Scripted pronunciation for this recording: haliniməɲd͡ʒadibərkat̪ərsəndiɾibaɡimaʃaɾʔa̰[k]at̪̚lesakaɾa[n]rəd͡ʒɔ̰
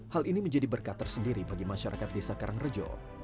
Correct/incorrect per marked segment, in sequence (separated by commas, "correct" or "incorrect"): correct, incorrect